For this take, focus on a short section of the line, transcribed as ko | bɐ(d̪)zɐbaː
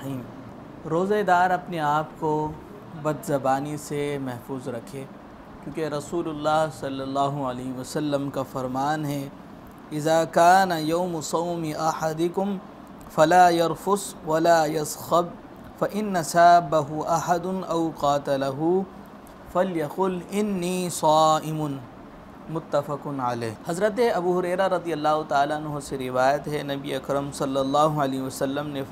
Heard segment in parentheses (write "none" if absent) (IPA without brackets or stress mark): d̪